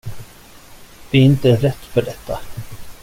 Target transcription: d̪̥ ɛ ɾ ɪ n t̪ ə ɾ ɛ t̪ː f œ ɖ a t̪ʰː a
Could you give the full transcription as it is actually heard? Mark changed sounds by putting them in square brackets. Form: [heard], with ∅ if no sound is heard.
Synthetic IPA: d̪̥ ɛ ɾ ɪ n t̪ ə ɾ ɛ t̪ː f œ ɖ [ɛ] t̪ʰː a